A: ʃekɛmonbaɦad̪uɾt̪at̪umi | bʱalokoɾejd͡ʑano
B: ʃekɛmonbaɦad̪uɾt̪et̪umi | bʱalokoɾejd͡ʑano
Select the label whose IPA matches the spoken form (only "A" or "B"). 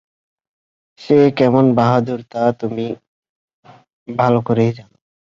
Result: A